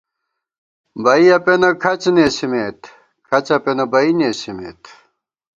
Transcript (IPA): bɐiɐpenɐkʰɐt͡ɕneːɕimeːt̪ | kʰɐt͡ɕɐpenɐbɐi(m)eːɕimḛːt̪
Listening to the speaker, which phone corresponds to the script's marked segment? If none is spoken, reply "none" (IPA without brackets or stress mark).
n